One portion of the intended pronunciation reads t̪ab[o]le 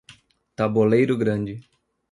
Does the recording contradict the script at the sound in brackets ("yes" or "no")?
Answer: no